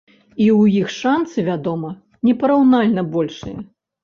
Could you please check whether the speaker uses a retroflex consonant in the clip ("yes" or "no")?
yes